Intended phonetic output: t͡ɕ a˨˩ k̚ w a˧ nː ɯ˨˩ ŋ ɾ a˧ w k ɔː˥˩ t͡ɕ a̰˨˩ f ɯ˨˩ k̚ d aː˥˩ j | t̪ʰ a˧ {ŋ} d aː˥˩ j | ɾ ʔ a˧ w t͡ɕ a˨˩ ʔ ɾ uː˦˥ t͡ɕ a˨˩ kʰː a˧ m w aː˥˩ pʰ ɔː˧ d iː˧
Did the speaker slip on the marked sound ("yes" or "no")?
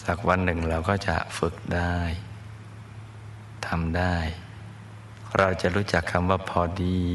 yes